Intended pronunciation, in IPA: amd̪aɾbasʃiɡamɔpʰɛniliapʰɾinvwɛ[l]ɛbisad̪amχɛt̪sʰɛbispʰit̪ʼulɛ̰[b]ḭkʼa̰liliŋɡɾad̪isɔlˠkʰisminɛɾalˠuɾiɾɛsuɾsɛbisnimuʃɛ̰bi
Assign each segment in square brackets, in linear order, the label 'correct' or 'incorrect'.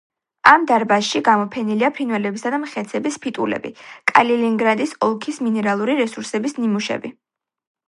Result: correct, correct

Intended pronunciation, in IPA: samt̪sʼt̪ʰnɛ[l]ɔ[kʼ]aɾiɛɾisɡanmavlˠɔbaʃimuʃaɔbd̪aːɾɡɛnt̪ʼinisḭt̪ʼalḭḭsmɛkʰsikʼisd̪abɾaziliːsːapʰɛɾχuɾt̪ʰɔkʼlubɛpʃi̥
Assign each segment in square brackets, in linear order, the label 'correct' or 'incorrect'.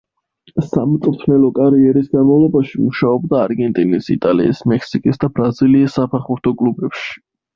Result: correct, correct

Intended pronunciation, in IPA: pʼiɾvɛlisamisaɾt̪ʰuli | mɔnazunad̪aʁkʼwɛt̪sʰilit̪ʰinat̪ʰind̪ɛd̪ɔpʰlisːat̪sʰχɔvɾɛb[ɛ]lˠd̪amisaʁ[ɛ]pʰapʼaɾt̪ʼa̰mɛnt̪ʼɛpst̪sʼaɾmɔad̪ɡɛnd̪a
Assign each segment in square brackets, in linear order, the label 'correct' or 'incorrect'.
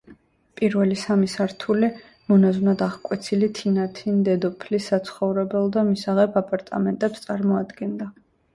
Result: correct, correct

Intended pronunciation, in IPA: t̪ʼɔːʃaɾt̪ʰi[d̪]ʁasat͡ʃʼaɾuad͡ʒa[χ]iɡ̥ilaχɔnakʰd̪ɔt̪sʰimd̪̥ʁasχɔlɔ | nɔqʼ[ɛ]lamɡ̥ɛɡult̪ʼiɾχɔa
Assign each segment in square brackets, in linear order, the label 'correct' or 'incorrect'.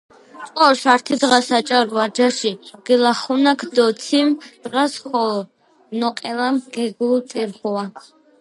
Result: correct, incorrect, correct

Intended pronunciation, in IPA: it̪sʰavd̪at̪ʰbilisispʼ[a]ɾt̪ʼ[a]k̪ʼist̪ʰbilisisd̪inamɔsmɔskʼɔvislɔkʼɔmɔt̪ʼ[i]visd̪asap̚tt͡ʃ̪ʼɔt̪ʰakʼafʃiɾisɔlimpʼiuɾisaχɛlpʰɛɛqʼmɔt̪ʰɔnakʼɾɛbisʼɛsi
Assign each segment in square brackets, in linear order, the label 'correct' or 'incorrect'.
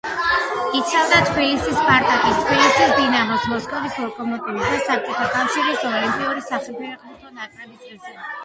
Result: correct, correct, correct

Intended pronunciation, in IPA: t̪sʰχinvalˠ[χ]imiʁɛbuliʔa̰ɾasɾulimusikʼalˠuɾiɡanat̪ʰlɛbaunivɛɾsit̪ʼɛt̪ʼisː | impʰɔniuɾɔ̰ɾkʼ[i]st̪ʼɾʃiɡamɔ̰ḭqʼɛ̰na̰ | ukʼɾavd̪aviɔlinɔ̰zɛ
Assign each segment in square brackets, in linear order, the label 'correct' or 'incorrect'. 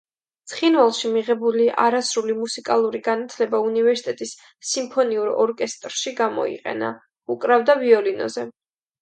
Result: incorrect, incorrect

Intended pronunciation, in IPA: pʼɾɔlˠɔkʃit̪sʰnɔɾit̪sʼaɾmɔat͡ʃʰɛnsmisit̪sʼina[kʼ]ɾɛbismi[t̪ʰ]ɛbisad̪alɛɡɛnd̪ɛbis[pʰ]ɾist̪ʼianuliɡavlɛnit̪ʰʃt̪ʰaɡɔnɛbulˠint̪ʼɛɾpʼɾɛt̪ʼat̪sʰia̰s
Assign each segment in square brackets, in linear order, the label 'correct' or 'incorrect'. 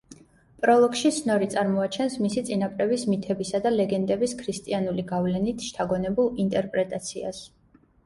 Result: incorrect, correct, incorrect

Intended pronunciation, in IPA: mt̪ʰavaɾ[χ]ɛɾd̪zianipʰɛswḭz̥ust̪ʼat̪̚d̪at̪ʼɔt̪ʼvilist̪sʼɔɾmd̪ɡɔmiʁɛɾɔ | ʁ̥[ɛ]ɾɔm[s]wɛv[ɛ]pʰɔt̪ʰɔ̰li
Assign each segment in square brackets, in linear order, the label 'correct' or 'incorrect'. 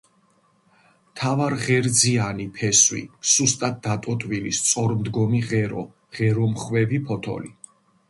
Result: incorrect, correct, incorrect, incorrect

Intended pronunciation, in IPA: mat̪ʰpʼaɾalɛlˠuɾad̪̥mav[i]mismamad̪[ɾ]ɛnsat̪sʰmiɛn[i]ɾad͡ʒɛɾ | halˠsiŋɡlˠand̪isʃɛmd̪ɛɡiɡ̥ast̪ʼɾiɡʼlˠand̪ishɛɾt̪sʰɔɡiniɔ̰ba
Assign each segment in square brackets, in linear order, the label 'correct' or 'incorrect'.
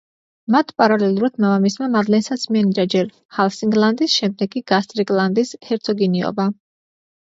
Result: incorrect, incorrect, correct

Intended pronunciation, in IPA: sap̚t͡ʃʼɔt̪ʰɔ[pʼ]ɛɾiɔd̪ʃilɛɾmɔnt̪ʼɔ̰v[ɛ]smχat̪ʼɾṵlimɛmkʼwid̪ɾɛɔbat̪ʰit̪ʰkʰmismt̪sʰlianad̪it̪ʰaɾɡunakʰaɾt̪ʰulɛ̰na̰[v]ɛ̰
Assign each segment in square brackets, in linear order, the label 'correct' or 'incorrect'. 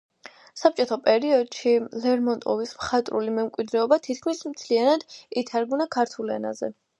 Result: correct, incorrect, incorrect

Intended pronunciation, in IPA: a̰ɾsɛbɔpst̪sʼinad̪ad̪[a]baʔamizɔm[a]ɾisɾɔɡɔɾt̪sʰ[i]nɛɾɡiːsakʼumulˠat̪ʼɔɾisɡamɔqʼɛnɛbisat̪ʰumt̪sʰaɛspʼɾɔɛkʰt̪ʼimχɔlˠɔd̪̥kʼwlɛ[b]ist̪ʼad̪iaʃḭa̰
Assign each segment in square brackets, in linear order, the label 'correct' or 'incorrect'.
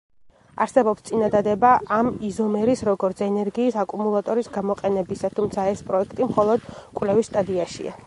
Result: incorrect, incorrect, incorrect, incorrect

